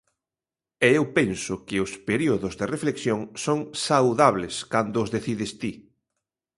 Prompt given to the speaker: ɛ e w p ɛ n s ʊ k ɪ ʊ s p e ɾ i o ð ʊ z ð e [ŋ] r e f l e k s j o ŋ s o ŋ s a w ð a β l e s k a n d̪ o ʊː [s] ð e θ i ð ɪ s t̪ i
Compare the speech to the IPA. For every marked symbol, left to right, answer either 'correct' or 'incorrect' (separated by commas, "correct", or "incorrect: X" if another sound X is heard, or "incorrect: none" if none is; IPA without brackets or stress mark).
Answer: incorrect: none, incorrect: z